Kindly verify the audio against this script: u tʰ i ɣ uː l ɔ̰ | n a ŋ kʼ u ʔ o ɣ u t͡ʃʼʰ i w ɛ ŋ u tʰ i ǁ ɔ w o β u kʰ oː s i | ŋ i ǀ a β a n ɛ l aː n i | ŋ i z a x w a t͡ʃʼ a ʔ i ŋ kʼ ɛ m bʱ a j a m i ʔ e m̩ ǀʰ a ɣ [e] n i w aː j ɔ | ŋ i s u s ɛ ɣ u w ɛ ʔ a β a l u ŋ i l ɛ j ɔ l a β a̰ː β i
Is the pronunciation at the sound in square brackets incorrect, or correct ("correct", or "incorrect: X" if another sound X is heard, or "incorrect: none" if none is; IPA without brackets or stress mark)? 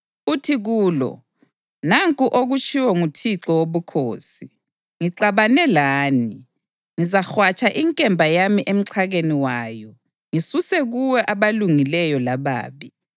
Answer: correct